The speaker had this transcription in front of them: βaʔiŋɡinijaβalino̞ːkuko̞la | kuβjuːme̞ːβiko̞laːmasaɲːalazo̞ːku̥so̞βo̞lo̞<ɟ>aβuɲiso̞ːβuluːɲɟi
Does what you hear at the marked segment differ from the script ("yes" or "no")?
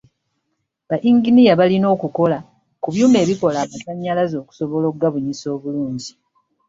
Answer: yes